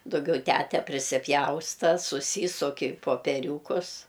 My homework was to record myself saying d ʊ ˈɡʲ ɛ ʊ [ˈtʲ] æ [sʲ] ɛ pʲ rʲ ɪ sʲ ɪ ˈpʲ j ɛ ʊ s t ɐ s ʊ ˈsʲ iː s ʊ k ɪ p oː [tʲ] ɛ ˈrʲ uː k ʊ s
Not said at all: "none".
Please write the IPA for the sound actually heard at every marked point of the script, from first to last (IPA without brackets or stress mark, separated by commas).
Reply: tʲ, tʲ, pʲ